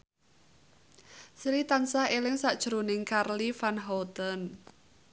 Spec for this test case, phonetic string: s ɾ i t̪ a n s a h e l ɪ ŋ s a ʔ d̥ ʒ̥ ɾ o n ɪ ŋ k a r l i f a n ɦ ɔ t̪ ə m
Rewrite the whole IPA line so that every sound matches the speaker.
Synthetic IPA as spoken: s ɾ i t̪ a n s a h e l ɪ ŋ s a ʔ d̥ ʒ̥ ɾ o n ɪ ŋ k a r l i f a n ɦ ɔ t̪ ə n